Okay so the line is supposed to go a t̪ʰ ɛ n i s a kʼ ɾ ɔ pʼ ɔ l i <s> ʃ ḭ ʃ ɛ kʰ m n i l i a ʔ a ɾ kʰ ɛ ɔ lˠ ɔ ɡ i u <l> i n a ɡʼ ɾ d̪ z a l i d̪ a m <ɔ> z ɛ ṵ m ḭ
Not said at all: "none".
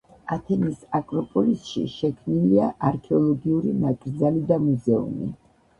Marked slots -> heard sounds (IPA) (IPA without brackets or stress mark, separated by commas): s, ɾ, u